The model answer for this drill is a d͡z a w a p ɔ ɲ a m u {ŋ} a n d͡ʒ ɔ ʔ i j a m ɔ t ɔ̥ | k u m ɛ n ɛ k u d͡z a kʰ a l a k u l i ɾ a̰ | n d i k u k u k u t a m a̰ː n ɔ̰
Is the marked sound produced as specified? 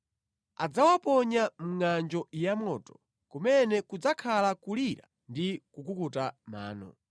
yes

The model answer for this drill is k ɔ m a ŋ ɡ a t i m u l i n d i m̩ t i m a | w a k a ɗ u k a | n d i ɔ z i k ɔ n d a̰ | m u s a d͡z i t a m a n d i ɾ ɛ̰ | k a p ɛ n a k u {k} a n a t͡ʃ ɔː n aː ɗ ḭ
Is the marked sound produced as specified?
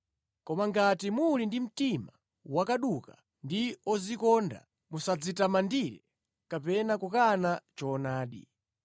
yes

